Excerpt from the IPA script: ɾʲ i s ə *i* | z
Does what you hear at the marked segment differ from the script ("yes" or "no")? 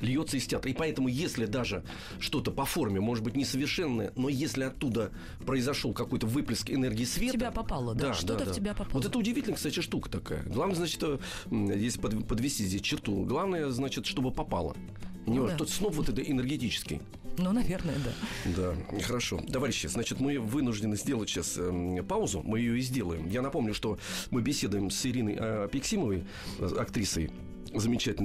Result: yes